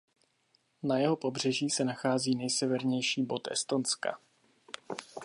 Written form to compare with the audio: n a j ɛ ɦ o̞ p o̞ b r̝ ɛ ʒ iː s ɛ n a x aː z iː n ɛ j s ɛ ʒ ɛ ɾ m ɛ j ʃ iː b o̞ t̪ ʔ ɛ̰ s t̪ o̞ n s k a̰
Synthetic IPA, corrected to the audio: n a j ɛ ɦ o̞ p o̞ b r̝ ɛ ʒ iː s ɛ n a x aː z iː n ɛ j s ɛ v ɛ ɾ ɲ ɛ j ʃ iː b o̞ t̪ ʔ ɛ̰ s t̪ o̞ n s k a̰